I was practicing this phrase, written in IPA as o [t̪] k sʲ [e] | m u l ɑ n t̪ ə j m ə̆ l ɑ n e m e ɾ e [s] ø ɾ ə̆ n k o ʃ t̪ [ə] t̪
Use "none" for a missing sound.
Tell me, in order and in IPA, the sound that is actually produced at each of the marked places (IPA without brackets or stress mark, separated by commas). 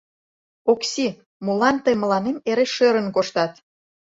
none, i, ʃ, ɑ